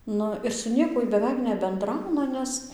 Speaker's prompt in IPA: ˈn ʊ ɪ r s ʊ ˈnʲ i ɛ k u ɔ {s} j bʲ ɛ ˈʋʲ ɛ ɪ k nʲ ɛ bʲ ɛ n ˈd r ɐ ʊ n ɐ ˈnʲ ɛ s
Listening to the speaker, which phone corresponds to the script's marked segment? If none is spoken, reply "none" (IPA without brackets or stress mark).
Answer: none